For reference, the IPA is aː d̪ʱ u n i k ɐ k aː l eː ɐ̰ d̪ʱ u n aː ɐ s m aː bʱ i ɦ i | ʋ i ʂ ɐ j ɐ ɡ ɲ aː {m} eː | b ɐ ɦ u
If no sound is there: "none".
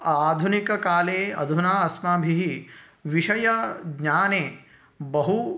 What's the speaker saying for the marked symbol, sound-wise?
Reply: n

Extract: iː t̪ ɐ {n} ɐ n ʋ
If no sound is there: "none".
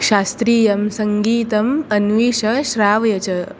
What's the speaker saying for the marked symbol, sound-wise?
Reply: m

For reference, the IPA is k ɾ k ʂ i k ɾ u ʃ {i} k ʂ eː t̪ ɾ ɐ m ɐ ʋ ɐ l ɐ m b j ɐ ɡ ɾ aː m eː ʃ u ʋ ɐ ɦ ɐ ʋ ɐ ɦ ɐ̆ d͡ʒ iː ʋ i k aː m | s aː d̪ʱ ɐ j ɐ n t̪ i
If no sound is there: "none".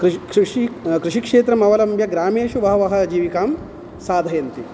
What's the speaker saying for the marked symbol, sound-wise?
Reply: i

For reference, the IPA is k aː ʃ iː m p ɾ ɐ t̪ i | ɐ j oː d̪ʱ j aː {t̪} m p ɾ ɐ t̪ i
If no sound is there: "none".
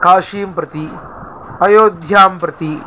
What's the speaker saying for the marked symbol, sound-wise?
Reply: none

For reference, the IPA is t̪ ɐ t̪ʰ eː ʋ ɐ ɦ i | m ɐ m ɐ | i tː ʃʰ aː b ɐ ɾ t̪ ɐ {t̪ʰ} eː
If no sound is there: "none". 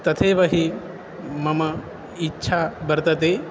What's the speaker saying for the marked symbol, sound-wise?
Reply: t̪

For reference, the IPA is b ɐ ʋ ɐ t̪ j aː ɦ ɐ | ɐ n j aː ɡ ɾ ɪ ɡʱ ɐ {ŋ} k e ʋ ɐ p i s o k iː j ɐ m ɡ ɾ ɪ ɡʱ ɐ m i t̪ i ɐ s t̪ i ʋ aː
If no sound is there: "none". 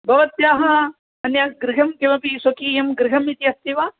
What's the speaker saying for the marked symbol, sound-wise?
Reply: m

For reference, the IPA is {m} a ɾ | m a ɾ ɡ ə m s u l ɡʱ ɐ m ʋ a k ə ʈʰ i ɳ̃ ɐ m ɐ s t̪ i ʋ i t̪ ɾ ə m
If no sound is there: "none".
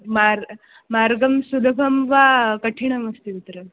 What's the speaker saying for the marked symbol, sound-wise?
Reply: m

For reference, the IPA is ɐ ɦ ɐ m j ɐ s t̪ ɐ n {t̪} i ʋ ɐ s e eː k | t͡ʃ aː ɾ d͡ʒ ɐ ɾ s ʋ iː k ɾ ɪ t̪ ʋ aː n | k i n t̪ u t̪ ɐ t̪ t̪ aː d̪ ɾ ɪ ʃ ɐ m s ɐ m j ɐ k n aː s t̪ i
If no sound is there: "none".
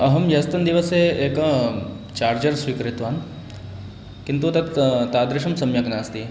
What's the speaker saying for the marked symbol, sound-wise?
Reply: d̪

